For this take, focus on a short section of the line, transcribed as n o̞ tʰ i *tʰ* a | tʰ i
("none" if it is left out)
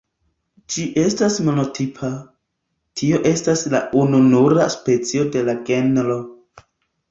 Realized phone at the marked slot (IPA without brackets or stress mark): pʰ